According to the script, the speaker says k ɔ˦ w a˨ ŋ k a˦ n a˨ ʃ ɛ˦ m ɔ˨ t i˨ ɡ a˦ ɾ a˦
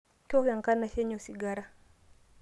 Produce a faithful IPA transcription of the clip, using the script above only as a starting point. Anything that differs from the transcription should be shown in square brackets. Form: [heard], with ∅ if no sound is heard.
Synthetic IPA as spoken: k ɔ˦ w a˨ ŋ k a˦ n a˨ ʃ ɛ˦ [ɲ] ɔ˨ [s] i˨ ɡ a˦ ɾ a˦